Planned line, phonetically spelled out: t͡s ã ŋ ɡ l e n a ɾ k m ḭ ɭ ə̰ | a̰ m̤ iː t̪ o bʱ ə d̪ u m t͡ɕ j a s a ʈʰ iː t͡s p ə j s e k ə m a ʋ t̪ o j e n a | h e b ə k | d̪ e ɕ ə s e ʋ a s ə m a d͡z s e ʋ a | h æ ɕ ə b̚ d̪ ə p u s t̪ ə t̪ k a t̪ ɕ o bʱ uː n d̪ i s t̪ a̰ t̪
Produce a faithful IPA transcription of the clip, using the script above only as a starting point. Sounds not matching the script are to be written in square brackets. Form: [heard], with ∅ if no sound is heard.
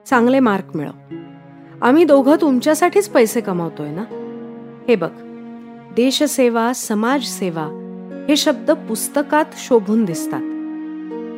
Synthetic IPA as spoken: t͡s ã ŋ ɡ l e [m] a ɾ k m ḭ ɭ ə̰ | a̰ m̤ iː [d̪] o [ɡʱ] ə [t̪] u m t͡ɕ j a s a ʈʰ iː t͡s p ə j s e k ə m a ʋ t̪ o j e n a | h e b ə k | d̪ e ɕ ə s e ʋ a s ə m a d͡z s e ʋ a | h [e] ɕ ə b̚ d̪ ə p u s t̪ ə [∅] k a t̪ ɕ o bʱ uː n d̪ i s t̪ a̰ t̪